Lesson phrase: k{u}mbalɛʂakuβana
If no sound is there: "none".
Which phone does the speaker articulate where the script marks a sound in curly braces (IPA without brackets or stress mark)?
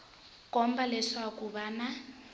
ɔ